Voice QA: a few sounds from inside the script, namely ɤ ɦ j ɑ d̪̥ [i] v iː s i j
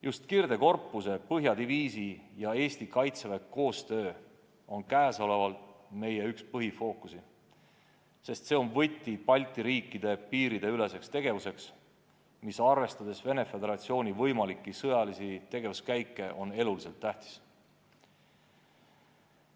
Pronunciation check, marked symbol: correct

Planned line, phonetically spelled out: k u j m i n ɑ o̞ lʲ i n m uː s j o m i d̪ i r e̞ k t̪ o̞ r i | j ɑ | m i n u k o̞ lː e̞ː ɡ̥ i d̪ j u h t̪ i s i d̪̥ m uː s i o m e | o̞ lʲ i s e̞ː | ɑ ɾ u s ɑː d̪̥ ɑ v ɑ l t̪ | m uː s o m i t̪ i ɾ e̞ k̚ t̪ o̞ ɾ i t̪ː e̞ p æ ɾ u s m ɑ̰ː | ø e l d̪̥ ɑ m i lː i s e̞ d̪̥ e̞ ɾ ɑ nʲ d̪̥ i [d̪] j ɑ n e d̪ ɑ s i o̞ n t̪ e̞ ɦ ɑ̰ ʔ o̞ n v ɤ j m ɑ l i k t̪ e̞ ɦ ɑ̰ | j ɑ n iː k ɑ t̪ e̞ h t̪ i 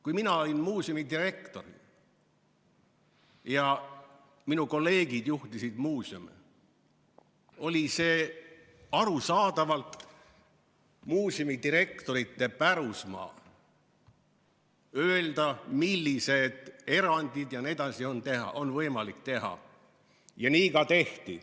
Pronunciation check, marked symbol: correct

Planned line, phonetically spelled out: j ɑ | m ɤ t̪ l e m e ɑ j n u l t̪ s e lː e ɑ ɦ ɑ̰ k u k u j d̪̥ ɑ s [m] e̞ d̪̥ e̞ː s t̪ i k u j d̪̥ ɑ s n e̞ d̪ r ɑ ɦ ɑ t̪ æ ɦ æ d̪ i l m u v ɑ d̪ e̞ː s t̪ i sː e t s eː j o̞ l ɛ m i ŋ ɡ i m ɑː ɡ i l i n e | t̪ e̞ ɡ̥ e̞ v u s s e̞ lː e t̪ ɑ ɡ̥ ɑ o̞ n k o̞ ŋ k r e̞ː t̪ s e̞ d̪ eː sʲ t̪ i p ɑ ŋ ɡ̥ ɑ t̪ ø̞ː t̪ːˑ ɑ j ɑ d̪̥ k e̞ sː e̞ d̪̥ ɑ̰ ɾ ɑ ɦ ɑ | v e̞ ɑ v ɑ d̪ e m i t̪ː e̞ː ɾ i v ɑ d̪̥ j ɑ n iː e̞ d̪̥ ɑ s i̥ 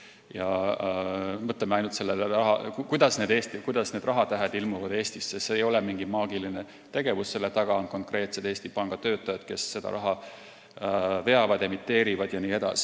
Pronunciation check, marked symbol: incorrect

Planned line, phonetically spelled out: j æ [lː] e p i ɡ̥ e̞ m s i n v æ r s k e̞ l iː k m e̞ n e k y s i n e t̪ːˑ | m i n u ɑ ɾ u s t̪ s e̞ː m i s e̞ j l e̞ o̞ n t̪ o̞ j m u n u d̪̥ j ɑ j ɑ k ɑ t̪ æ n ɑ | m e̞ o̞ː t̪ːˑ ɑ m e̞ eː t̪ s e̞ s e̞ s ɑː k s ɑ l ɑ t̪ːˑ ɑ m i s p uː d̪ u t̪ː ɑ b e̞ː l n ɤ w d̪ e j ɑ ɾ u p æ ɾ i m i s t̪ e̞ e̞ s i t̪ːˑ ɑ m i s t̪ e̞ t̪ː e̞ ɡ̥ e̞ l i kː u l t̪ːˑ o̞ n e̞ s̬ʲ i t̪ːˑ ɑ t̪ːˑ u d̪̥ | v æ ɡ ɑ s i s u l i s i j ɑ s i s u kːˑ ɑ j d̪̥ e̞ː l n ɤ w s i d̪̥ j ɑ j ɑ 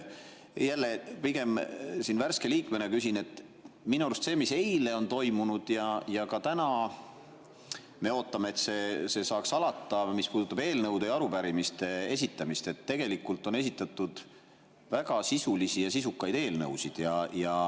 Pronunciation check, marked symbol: correct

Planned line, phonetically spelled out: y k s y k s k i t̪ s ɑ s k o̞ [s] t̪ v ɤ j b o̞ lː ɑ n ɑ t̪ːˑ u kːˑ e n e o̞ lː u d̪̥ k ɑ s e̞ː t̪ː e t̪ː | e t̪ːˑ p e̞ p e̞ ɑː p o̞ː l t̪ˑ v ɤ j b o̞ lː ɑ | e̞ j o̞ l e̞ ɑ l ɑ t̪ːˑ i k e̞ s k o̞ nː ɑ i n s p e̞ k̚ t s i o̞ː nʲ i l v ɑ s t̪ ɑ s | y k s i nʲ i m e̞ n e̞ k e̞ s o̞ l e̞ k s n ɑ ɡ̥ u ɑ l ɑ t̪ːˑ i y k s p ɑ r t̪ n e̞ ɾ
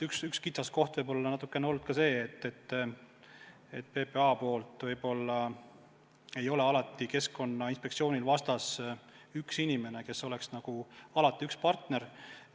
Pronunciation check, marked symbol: incorrect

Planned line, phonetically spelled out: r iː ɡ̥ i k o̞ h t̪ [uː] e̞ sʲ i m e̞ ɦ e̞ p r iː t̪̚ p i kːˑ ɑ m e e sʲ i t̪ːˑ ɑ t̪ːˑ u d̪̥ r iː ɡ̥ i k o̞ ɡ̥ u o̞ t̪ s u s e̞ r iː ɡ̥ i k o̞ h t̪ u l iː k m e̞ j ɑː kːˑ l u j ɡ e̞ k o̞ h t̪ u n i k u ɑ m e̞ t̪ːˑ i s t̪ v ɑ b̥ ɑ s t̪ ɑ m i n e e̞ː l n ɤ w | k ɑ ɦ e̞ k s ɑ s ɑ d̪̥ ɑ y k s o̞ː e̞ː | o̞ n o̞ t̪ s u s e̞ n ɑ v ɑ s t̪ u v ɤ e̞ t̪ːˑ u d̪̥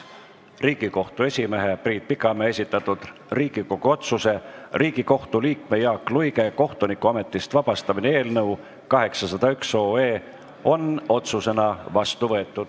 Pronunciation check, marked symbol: incorrect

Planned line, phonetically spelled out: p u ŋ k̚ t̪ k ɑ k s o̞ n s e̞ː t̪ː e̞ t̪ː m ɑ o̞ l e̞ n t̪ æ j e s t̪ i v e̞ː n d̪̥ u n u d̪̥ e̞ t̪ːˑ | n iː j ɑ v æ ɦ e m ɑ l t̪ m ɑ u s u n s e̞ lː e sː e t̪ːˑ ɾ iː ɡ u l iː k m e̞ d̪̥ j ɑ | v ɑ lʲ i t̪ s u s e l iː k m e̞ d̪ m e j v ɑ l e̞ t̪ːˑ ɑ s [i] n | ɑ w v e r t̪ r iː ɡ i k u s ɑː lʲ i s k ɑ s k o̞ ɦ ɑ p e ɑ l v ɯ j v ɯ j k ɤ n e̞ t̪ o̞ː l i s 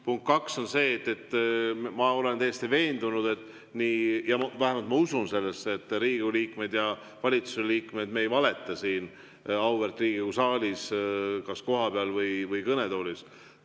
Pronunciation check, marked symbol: incorrect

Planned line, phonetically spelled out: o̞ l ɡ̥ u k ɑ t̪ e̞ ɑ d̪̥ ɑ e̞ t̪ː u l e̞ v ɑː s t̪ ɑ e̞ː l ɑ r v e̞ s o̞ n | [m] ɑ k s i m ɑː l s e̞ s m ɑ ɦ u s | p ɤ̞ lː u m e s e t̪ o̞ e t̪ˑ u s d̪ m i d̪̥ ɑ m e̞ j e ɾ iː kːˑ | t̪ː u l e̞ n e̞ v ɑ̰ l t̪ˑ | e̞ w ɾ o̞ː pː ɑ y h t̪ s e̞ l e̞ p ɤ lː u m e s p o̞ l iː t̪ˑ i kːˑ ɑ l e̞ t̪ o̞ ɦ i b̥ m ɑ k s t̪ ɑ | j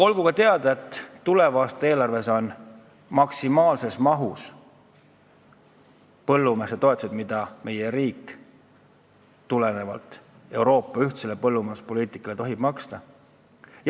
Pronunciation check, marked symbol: correct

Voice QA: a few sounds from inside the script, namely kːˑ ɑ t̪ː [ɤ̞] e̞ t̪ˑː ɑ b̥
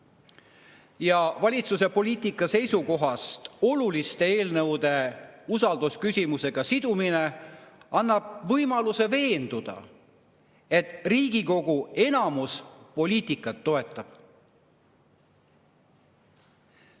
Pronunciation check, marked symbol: incorrect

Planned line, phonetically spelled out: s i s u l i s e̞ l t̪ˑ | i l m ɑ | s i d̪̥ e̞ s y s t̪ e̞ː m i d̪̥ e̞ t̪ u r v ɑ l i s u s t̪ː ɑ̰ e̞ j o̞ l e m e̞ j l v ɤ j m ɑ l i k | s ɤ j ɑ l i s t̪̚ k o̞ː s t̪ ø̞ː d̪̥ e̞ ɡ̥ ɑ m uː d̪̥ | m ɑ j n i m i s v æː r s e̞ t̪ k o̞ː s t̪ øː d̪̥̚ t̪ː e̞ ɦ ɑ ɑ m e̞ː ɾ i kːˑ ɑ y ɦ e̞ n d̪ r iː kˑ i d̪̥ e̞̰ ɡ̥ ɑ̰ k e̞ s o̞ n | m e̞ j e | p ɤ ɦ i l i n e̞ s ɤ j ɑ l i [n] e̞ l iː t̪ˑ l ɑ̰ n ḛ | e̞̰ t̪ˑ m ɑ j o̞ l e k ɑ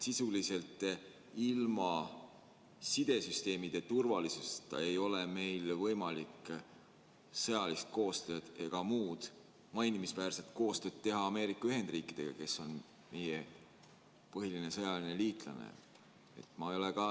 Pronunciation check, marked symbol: correct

